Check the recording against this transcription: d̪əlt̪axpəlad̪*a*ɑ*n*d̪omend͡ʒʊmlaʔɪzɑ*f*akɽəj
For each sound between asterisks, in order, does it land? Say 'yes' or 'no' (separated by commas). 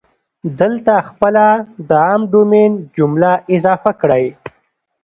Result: no, no, yes